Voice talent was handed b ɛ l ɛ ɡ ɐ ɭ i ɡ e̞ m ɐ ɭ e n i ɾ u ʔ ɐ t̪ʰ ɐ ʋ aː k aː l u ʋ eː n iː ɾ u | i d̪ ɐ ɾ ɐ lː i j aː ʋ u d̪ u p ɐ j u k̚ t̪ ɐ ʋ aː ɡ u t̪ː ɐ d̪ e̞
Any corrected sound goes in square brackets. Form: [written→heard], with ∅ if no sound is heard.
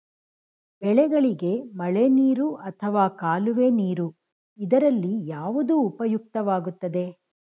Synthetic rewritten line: b ɛ [l→ɭ] ɛ ɡ ɐ ɭ i ɡ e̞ m ɐ ɭ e n [i→iː] ɾ u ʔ ɐ t̪ʰ ɐ ʋ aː k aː l u ʋ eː n iː ɾ u | i d̪ ɐ ɾ ɐ lː i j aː ʋ u d̪ [u→uː] p ɐ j u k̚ t̪ ɐ ʋ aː ɡ u t̪ː ɐ d̪ e̞